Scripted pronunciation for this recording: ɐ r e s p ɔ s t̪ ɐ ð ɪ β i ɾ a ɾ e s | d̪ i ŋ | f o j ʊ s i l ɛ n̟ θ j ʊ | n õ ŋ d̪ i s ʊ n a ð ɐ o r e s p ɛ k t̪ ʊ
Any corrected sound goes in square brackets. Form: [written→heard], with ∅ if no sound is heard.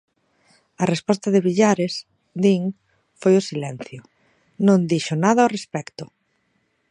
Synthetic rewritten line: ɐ r e s p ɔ s t̪ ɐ ð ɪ β i [ɾ→ʎ] a ɾ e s | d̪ i ŋ | f o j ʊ s i l ɛ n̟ θ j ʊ | n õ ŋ d̪ i [s→ʃ] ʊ n a ð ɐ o r e s p ɛ k t̪ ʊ